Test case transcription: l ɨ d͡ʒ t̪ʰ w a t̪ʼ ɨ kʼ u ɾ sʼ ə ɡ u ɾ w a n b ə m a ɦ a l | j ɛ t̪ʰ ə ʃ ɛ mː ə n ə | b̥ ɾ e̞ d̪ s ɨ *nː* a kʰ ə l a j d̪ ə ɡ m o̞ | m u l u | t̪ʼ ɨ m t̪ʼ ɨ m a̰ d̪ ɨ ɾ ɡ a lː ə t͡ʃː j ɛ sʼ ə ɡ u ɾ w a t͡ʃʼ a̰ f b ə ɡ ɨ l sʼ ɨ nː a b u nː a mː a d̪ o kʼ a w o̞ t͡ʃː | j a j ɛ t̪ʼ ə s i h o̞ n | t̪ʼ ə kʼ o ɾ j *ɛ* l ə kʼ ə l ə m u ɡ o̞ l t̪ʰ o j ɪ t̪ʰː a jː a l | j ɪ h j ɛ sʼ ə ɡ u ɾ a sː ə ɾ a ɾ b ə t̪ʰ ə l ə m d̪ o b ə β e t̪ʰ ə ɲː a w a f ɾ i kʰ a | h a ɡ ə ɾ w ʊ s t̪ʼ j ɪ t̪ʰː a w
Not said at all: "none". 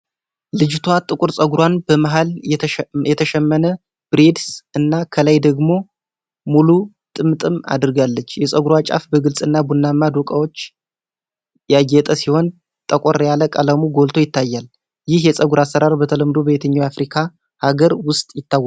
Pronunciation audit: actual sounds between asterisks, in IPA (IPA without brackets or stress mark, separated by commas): nː, a